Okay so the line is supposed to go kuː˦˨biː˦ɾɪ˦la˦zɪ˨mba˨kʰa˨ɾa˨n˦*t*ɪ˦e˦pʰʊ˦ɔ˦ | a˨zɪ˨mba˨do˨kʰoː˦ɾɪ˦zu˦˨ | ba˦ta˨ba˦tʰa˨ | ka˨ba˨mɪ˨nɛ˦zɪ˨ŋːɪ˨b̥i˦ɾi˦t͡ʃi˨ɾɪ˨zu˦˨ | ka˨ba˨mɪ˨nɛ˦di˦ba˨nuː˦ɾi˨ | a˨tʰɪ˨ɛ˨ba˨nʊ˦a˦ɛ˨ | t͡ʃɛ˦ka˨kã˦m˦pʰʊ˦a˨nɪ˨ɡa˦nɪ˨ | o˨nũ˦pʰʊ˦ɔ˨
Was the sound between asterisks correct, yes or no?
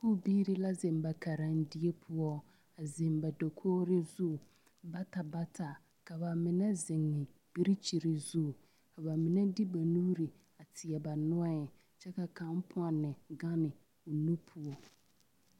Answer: no